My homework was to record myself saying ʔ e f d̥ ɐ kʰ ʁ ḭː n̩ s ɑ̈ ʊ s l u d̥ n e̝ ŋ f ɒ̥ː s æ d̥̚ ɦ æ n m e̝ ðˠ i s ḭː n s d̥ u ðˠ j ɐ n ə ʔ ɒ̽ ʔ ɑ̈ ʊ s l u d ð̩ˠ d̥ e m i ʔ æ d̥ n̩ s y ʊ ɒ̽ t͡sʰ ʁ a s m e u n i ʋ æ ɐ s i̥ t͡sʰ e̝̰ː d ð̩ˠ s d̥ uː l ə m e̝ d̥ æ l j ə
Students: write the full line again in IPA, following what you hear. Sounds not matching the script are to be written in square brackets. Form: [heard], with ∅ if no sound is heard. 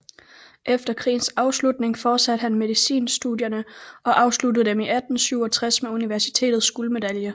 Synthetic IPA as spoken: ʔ e f d̥ ɐ kʰ ʁ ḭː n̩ s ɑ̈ ʊ s l u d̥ n e̝ ŋ f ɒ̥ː s æ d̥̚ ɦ æ n m e̝ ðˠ i s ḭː n s d̥ u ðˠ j ɐ n ə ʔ ɒ̽ ʔ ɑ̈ ʊ s l u d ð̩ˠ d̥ e m i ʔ æ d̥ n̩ s y ʊ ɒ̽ t͡sʰ ʁ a s m e u n i ʋ æ ɐ s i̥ t͡sʰ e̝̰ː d ð̩ˠ s [ɡ̥] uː l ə m e̝ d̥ æ l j ə